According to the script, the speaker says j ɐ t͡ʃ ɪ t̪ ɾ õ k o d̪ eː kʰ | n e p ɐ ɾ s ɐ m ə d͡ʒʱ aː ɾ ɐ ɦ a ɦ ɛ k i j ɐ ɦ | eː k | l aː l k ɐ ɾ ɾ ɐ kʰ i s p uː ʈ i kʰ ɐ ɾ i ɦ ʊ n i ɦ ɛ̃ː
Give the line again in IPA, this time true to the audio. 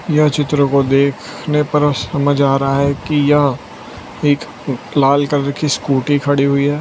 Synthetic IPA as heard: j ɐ t͡ʃ ɪ t̪ ɾ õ k o d̪ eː kʰ | n e p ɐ ɾ s ɐ m ə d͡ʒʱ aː ɾ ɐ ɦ a ɦ ɛ k i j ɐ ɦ | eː k | l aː l k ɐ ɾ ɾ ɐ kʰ i s k uː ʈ i kʰ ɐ ɽ i ɦ ʊ i ɦ ɛː